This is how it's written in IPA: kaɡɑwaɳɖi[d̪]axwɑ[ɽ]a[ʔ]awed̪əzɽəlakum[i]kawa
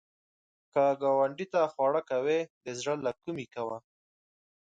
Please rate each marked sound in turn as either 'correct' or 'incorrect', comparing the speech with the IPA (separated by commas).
incorrect, correct, incorrect, correct